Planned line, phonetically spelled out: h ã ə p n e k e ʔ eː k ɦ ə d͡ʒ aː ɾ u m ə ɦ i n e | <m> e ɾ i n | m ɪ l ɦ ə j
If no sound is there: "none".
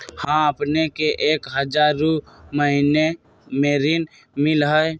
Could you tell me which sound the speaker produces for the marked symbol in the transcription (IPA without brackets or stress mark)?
m